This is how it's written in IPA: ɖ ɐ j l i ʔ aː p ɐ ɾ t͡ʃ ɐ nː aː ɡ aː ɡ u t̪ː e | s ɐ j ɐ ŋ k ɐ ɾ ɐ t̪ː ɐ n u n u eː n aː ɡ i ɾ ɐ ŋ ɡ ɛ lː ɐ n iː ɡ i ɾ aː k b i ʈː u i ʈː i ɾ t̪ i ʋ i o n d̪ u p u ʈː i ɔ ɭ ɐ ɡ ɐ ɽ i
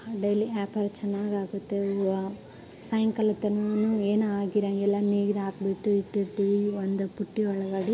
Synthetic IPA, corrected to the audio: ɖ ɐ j l i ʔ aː p ɐ ɾ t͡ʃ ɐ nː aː ɡ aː ɡ u t̪ː e | s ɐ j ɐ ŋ k ɐ l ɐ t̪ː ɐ n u n u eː n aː ɡ i ɾ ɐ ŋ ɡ ɛ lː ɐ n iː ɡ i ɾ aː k b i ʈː u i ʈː i ɾ t̪ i ʋ i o n d̪ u p u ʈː i ɔ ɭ ɐ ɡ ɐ ɽ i